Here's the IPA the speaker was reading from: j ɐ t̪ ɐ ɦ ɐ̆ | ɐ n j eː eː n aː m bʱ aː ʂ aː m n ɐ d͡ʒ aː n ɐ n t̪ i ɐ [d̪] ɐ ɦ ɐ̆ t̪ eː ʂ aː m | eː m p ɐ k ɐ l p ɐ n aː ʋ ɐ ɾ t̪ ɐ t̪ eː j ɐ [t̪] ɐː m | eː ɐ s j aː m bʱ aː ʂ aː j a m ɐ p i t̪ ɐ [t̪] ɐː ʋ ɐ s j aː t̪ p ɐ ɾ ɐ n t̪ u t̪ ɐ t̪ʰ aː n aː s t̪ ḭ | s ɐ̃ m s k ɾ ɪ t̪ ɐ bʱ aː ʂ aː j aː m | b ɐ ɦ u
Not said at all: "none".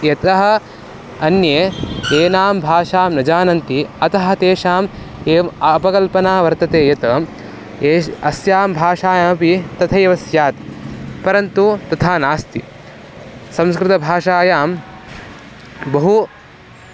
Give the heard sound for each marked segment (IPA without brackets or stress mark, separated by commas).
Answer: t̪, t̪, t̪ʰ